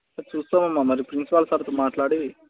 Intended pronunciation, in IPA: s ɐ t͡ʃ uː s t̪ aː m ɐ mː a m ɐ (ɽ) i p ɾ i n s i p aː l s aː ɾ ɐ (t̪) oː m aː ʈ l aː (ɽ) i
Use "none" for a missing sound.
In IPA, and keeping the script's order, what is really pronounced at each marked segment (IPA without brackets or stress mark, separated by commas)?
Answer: ɾ, t̪, ɽ